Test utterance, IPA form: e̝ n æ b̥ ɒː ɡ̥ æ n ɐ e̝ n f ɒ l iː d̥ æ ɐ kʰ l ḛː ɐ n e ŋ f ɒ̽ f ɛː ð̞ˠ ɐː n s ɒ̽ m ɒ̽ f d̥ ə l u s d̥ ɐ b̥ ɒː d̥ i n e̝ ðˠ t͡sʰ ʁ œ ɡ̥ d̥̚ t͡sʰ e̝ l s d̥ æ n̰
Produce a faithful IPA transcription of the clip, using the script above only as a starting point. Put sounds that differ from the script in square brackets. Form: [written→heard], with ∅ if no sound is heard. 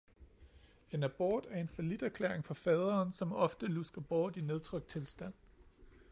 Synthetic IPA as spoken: e̝ n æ b̥ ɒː [ɡ̥→d̥] æ [n→∅] ɐ e̝ n f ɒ l [iː→i] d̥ æ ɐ kʰ l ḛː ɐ [n→∅] e ŋ f ɒ̽ f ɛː ð̞ˠ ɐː n s ɒ̽ m ɒ̽ f d̥ ə l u s [d̥→ɡ̥] ɐ b̥ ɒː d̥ i n e̝ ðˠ t͡sʰ ʁ œ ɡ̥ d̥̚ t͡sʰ e̝ l s d̥ æ n̰